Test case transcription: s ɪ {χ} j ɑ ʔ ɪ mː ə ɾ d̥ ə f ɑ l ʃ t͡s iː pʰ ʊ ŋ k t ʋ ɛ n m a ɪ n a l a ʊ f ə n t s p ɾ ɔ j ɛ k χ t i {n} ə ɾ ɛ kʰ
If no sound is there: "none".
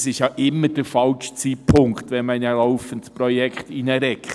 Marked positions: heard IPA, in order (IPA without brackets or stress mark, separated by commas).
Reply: ʃ, n